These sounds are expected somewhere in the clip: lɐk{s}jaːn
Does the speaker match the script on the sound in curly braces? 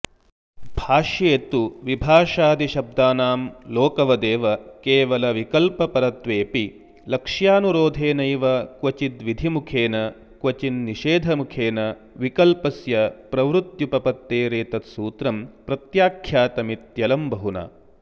no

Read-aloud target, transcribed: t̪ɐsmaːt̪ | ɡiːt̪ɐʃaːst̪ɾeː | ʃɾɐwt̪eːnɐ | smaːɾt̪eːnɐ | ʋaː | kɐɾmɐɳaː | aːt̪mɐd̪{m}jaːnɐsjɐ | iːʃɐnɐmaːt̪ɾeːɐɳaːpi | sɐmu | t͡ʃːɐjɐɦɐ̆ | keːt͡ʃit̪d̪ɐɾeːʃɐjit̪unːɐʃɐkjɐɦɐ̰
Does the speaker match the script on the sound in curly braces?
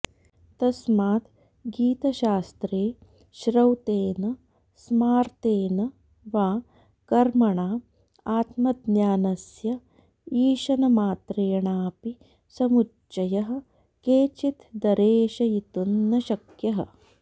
no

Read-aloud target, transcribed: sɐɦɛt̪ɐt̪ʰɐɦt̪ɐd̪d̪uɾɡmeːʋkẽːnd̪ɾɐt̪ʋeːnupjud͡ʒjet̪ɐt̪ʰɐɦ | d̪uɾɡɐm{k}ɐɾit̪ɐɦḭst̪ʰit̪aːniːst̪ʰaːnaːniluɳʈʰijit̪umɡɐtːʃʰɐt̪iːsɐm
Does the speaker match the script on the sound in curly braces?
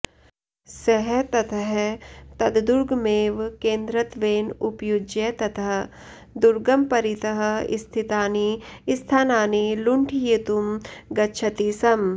no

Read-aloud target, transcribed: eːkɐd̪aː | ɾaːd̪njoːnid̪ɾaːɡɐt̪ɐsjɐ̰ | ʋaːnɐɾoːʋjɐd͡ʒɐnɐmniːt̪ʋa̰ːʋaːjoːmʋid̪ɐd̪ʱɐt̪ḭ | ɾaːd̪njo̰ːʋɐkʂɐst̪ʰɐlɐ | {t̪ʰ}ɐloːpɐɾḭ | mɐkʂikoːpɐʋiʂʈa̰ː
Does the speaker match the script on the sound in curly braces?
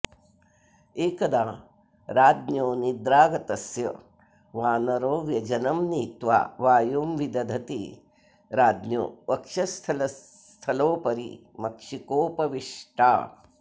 yes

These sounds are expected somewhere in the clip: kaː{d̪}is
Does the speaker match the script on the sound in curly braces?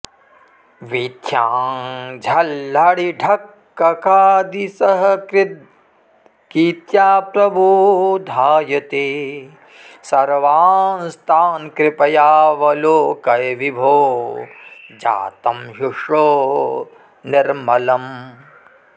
yes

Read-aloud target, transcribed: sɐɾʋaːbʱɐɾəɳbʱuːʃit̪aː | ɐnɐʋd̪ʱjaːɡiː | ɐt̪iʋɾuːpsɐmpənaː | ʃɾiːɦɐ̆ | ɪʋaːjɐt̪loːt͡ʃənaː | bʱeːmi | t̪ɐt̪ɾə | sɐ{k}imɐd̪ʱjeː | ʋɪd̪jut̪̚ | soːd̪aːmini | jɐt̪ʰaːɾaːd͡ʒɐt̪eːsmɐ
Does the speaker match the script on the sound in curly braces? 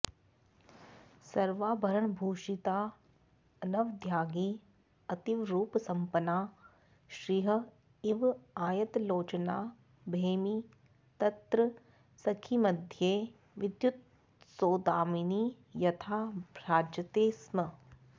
no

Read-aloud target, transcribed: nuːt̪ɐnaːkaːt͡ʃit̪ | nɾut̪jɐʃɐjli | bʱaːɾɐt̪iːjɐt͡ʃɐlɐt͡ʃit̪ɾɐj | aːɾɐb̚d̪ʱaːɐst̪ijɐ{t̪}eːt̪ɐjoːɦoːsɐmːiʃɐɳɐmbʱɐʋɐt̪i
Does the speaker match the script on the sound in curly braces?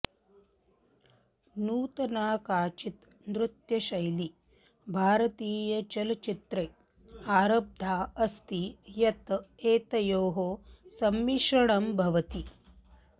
yes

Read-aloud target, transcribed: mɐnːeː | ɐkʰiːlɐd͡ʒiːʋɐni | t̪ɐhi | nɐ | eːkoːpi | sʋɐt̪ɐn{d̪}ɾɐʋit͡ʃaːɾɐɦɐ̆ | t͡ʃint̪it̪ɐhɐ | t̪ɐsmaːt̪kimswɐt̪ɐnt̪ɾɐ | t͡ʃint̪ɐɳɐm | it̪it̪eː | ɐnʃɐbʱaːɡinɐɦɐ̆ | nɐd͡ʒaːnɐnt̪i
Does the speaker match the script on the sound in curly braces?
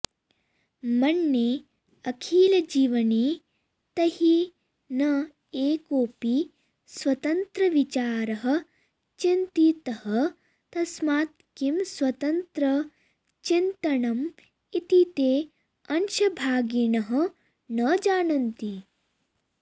no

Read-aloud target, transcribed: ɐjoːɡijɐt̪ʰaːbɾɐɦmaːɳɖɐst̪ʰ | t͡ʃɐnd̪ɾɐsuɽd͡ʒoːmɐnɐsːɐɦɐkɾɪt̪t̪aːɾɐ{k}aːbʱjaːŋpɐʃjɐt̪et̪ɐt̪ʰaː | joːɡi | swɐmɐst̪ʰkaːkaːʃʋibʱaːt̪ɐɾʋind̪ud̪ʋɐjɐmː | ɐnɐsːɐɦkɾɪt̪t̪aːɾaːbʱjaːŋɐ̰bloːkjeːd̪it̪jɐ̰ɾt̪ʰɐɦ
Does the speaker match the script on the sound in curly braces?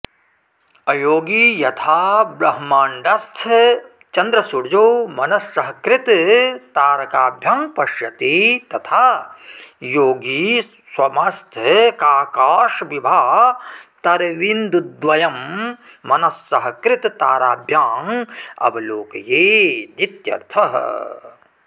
yes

